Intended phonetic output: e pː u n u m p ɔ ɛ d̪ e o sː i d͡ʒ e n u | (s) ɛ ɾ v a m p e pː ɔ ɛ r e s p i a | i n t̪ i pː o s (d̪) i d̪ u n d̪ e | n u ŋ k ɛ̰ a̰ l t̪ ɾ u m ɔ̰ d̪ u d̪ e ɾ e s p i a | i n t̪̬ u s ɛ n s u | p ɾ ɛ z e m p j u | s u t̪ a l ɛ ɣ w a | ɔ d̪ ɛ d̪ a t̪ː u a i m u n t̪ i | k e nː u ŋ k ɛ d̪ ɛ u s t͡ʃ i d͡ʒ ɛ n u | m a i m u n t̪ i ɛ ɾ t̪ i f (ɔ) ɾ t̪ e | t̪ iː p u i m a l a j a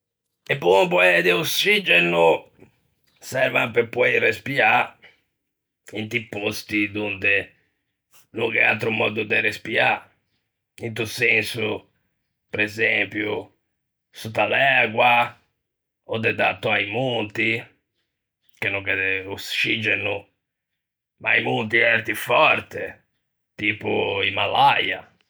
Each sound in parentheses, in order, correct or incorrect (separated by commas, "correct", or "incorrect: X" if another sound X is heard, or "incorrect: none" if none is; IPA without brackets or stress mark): correct, incorrect: t̪, correct